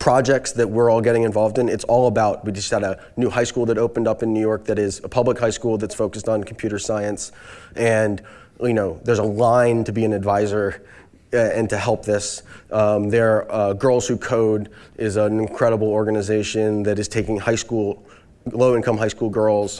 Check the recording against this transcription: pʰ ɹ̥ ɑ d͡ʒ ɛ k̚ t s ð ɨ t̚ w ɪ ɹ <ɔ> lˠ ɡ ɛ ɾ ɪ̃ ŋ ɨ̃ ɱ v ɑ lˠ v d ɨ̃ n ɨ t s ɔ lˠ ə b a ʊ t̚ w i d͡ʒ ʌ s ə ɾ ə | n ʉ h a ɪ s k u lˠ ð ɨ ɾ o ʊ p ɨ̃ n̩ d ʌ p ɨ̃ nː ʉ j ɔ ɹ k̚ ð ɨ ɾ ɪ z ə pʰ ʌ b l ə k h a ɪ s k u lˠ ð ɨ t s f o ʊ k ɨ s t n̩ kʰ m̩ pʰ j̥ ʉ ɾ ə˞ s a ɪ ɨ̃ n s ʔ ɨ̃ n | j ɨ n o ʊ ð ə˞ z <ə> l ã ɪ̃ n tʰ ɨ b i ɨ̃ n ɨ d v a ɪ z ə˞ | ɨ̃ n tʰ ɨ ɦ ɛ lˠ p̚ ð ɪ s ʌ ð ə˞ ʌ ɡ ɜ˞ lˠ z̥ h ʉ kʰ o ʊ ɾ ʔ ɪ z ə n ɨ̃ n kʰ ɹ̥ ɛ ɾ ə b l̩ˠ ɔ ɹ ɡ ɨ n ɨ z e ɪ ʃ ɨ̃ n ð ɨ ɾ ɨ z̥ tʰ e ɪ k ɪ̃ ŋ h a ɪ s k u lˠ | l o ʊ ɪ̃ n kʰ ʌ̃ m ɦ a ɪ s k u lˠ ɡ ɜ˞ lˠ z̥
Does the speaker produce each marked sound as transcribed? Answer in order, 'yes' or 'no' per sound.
yes, yes

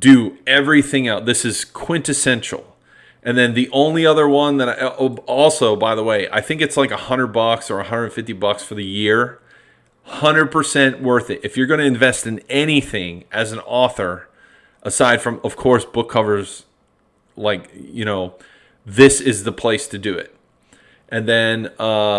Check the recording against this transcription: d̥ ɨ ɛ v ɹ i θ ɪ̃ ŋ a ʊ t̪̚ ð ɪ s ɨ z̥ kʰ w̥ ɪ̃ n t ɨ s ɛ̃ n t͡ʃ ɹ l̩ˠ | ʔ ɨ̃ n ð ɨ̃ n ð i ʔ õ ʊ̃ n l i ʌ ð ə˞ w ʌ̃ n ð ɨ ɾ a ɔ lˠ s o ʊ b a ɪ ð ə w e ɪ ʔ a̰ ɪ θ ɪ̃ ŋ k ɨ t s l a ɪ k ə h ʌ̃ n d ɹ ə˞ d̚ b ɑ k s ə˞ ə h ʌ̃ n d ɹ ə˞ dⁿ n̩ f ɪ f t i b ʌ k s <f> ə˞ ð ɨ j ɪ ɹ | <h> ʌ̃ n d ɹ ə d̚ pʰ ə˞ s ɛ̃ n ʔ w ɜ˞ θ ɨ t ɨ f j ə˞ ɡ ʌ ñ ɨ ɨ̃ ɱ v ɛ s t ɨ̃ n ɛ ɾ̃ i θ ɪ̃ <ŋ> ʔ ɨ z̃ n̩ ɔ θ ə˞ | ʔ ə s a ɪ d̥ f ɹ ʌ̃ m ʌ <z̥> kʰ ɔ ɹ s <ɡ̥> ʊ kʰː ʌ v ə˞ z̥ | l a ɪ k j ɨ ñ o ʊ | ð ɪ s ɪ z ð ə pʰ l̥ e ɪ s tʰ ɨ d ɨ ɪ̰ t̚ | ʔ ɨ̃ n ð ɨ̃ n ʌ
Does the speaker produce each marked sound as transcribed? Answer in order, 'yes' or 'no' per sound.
yes, yes, yes, no, no

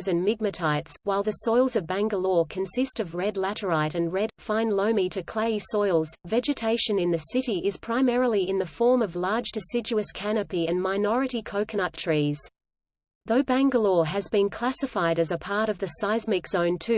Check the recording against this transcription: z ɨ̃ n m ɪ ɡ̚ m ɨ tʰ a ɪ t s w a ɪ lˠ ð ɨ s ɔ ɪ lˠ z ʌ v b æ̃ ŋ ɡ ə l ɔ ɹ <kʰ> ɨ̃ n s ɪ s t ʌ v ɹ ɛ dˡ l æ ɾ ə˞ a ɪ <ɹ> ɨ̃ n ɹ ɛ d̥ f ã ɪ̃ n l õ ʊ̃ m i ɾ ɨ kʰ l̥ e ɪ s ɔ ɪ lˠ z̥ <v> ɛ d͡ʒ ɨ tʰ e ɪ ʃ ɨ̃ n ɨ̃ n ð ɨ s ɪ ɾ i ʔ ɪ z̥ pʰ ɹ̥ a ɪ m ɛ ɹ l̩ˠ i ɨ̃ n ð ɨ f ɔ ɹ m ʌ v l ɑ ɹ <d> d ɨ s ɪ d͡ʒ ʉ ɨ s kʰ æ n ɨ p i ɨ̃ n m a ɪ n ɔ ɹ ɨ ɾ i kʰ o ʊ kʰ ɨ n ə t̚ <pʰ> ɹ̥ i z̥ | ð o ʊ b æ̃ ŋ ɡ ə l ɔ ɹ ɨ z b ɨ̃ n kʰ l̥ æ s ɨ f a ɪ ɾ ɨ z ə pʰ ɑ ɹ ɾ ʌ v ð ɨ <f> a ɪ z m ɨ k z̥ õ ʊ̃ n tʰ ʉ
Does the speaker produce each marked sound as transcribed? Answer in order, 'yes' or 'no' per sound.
yes, no, yes, no, no, no

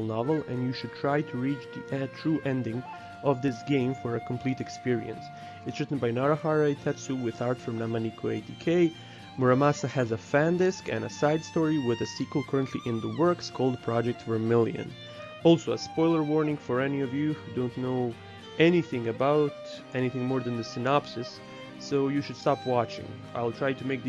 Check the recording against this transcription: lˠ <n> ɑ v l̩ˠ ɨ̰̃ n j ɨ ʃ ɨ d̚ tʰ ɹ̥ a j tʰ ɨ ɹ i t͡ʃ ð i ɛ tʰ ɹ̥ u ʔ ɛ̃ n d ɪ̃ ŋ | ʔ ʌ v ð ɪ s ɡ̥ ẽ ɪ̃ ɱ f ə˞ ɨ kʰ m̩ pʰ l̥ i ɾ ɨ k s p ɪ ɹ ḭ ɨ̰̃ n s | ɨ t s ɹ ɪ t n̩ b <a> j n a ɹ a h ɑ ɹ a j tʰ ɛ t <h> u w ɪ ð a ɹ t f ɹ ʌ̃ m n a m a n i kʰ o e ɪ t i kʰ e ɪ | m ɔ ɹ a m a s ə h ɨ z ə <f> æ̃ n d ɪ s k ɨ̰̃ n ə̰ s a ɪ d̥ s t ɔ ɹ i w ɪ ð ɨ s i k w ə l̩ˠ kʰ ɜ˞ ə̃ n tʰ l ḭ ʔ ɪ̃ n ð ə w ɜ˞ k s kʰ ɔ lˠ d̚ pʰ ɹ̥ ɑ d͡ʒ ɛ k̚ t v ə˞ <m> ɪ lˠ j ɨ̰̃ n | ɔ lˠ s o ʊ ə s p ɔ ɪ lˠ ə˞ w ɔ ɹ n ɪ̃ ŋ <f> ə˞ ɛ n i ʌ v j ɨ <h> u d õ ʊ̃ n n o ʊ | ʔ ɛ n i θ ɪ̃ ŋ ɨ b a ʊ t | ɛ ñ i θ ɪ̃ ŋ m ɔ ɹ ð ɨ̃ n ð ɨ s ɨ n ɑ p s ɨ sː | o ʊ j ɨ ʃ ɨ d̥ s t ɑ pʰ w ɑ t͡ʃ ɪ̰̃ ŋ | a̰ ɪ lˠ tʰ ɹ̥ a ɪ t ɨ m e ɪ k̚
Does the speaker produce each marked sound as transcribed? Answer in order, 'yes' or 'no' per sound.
yes, yes, no, yes, yes, yes, yes

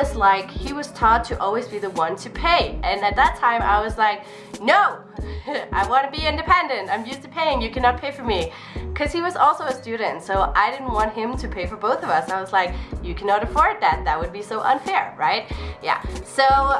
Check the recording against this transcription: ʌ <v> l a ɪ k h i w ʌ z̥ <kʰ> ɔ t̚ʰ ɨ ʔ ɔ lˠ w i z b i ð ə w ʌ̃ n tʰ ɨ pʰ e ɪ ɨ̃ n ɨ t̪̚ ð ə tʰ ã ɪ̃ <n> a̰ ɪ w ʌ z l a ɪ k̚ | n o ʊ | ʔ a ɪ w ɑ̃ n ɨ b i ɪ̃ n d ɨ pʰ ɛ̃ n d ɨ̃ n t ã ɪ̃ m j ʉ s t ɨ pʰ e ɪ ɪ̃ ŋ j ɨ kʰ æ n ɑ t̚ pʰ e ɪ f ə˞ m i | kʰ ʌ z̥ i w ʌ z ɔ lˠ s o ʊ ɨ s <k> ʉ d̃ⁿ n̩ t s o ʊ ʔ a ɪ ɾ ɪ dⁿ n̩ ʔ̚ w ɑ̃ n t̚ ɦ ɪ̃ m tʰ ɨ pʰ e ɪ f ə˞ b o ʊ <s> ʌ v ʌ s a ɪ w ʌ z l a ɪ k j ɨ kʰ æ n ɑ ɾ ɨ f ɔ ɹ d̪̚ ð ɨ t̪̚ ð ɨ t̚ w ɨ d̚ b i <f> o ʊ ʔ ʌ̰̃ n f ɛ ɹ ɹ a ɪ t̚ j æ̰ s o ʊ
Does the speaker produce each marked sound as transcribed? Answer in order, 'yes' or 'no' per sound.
no, no, no, no, no, no

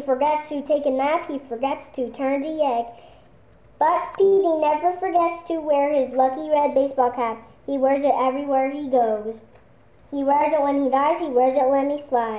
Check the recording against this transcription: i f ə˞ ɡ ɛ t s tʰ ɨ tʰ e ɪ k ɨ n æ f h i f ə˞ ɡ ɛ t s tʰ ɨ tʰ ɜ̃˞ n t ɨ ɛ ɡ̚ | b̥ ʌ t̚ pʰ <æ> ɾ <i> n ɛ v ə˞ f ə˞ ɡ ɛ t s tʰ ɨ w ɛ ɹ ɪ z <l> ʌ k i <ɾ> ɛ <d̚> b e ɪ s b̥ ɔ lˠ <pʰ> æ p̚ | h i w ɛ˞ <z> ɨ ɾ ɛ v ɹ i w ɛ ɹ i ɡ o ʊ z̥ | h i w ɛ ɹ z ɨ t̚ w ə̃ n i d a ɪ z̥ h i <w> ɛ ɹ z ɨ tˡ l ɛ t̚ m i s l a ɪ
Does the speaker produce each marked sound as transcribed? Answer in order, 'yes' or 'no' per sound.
no, yes, yes, no, yes, no, yes, yes

